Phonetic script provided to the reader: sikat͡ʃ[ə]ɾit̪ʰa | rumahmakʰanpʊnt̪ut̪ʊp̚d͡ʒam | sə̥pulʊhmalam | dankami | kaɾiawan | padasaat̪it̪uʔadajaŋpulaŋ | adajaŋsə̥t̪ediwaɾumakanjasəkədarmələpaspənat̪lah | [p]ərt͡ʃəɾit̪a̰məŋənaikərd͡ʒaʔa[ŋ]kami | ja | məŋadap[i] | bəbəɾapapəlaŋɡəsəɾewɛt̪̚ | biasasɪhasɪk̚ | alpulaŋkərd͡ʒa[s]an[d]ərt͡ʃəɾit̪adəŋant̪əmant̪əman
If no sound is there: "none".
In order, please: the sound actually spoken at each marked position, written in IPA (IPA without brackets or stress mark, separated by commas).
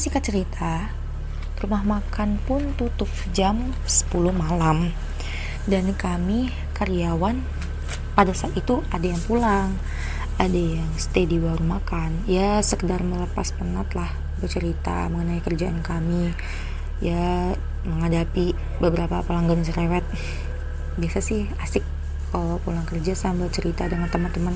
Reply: ə, b, n, i, s, b